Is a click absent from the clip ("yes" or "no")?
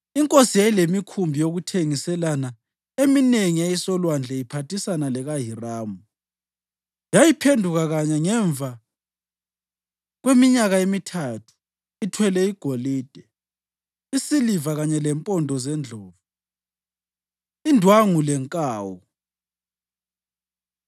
yes